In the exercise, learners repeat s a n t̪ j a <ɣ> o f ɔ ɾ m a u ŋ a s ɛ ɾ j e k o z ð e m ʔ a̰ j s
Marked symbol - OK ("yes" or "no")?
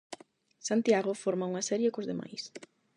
yes